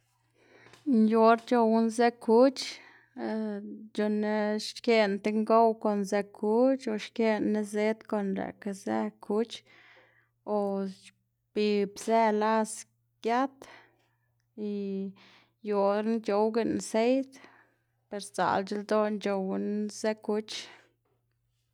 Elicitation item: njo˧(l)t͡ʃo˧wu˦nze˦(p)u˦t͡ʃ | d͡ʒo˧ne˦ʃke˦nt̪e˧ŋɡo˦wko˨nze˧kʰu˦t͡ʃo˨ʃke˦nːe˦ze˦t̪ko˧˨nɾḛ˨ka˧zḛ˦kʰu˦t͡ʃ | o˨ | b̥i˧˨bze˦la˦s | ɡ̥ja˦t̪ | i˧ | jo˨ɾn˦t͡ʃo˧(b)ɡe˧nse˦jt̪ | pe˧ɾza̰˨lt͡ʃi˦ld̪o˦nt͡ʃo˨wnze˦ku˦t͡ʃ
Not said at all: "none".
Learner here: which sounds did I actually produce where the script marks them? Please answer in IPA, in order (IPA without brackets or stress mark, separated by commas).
ɾ, k, w